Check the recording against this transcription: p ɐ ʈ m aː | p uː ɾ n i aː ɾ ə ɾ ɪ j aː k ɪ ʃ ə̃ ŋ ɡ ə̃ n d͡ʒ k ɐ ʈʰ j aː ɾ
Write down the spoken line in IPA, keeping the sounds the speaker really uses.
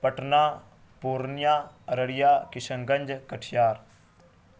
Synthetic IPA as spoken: p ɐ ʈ n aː | p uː ɾ n j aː ɾ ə ɽ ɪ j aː k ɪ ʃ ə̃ ŋ ɡ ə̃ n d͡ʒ k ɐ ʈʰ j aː ɾ